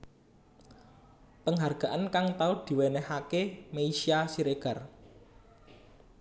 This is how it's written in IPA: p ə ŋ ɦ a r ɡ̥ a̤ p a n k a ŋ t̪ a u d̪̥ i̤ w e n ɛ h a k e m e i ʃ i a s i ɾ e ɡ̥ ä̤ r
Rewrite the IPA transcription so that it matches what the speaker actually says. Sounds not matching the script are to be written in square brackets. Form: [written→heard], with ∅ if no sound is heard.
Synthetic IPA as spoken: p ə ŋ ɦ a r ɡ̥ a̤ [p→ʔ] a n k a ŋ t̪ a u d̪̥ i̤ w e n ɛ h a k e m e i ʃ i a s i ɾ e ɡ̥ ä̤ r